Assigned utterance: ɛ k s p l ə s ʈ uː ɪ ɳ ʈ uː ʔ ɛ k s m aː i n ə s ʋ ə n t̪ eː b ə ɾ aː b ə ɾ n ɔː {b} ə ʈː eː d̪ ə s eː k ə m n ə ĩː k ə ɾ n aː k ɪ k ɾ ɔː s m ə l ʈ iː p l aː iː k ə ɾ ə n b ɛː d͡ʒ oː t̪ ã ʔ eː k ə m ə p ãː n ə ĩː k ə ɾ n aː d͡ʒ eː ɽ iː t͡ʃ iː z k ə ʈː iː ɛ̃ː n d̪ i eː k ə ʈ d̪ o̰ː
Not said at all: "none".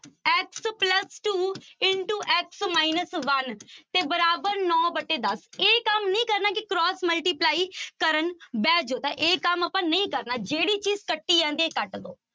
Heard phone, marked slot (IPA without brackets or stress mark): b